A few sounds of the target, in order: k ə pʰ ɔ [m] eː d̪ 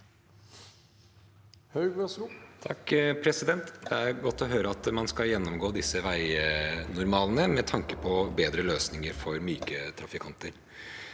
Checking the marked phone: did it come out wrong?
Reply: yes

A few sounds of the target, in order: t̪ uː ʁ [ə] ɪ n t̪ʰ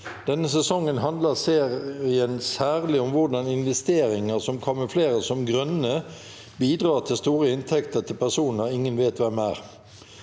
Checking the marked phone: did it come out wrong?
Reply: no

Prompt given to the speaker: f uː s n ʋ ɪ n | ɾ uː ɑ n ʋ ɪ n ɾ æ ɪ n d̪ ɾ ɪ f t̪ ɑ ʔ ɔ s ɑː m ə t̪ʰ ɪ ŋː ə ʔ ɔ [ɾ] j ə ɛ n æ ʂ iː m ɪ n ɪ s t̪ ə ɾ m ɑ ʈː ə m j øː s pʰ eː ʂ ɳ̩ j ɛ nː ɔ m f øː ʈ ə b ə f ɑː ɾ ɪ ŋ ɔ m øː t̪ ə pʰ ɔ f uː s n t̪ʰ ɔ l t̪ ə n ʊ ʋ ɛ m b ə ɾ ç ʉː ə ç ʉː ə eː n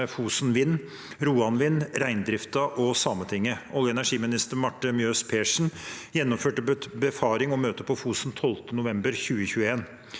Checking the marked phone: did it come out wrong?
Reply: yes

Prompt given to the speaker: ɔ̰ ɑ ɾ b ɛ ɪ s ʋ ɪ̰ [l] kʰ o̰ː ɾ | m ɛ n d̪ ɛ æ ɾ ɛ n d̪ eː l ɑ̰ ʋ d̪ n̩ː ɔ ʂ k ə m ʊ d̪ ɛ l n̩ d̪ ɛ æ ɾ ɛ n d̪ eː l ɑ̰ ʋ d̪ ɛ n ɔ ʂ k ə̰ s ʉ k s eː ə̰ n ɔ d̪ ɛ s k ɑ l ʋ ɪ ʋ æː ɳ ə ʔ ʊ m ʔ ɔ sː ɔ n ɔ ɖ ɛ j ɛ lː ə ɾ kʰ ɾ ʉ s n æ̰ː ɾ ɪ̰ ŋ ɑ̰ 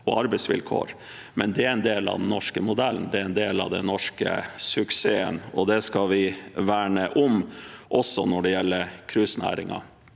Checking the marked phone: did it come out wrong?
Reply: no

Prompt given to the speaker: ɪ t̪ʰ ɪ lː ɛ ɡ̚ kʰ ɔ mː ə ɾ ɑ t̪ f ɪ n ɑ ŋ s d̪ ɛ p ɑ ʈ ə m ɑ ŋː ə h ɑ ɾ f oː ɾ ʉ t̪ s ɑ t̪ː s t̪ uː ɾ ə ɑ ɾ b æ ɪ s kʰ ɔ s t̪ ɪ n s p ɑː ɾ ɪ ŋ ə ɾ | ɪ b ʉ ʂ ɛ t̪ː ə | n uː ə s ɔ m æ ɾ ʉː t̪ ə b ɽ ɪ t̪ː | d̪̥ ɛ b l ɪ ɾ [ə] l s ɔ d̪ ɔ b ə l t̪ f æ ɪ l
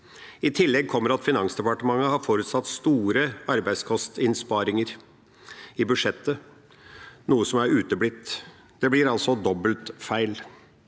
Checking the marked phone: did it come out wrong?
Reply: yes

